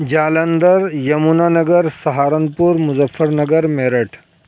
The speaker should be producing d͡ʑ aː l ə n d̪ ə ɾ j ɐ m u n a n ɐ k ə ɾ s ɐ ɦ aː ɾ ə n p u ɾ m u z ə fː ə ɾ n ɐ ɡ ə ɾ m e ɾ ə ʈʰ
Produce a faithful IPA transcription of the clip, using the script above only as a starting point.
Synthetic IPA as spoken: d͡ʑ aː l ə n d̪ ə ɾ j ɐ m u n a n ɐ ɡ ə ɾ s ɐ ɦ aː ɾ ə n p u ɾ m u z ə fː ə ɾ n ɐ ɡ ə ɾ m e ɾ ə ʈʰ